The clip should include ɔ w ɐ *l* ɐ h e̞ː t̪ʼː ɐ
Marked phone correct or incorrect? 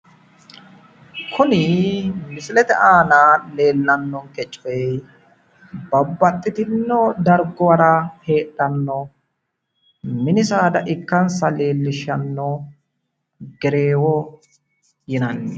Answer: incorrect: ɾ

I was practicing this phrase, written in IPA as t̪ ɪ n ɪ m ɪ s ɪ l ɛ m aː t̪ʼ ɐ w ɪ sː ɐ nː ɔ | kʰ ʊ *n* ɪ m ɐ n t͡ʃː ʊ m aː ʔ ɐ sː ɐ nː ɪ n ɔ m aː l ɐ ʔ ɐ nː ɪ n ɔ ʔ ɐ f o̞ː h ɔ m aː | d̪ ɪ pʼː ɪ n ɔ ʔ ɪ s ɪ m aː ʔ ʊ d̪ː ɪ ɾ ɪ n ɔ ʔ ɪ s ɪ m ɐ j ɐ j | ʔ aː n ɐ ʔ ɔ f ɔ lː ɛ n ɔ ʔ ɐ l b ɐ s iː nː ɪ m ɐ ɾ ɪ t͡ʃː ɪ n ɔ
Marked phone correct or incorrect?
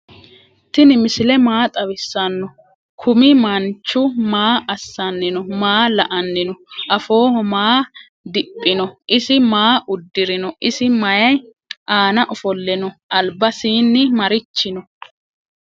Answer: incorrect: m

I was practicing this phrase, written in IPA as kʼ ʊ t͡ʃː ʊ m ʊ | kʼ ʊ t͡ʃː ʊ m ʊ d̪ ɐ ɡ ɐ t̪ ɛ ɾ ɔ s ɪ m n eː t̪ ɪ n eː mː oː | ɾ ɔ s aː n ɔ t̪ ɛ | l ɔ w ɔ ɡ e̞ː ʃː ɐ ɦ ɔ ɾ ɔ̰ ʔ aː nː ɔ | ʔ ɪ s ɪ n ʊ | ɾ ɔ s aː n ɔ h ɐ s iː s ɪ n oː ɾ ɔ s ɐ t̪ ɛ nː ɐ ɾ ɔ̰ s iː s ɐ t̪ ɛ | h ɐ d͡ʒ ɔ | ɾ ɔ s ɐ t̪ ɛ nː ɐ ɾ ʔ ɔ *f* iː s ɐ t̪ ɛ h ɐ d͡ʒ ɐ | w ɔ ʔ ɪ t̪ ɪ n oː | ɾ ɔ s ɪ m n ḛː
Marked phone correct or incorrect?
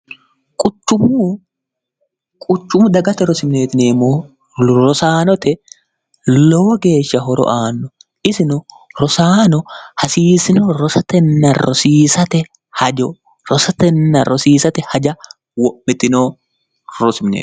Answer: incorrect: s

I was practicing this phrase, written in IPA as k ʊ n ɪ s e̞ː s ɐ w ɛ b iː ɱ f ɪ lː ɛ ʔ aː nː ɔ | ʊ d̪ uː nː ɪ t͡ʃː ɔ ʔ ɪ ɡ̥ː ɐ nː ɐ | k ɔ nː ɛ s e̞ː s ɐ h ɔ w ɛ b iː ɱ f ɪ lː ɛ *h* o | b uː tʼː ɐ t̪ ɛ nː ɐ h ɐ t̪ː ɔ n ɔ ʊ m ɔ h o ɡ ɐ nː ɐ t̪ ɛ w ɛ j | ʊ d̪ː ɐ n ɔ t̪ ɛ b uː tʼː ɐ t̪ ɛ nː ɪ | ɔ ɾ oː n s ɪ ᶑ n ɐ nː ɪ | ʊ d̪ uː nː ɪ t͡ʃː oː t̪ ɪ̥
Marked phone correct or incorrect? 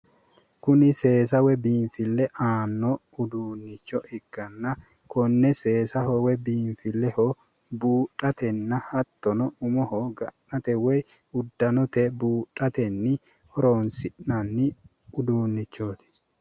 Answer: correct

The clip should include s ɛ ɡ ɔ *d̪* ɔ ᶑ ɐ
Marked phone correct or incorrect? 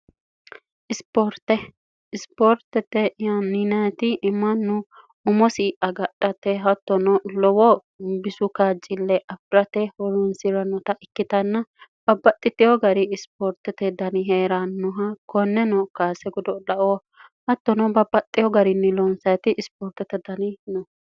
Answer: correct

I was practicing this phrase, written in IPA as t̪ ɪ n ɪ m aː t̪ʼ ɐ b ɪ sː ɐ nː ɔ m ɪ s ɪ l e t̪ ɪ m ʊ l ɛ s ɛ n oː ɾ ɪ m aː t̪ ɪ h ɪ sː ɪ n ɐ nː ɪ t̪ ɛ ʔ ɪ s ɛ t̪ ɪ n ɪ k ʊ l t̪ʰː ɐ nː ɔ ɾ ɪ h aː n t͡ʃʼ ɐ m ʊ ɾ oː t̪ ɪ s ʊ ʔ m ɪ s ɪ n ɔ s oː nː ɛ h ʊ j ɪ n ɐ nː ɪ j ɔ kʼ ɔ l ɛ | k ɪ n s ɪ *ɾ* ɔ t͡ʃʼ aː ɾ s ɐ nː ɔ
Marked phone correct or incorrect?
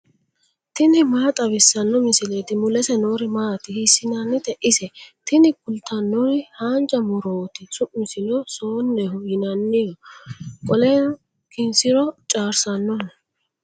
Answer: correct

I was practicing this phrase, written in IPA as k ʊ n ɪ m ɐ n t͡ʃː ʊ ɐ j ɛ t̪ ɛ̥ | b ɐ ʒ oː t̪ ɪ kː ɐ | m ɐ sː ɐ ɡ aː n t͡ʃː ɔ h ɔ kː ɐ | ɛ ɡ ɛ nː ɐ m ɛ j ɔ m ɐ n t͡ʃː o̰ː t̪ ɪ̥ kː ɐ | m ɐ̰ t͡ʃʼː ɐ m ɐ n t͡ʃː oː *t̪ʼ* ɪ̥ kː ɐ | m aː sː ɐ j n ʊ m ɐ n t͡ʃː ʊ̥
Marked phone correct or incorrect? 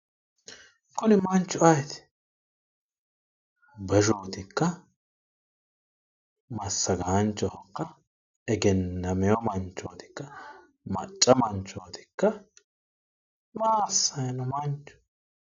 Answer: incorrect: t̪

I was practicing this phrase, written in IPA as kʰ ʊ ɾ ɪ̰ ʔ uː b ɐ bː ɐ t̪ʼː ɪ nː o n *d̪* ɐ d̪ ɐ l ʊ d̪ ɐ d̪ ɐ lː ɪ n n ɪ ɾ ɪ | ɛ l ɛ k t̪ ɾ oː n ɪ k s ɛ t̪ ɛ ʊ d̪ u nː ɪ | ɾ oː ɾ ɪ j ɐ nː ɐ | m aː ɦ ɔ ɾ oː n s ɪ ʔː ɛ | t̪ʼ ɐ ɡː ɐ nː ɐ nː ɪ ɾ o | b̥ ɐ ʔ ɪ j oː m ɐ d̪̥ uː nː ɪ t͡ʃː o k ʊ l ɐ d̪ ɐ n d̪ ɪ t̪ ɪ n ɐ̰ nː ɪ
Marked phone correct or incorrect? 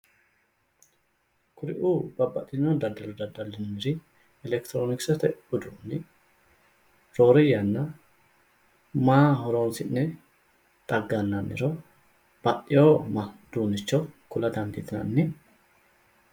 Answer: correct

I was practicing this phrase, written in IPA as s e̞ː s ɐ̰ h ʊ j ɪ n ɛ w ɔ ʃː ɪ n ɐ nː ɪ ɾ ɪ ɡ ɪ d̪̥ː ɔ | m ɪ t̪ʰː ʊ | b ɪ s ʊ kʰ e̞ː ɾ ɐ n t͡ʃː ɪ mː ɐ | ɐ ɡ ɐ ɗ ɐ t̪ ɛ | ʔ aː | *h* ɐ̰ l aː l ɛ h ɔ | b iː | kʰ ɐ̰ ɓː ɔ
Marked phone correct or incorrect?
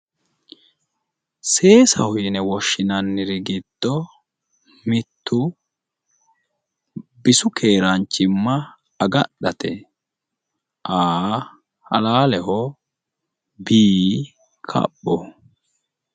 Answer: correct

